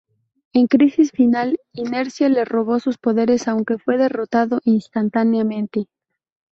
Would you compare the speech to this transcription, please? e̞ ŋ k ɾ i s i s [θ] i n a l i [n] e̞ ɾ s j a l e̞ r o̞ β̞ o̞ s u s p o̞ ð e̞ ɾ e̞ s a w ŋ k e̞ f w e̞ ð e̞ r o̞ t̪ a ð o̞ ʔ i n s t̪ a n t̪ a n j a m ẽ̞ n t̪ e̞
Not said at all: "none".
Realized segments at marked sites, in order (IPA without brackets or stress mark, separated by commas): f, n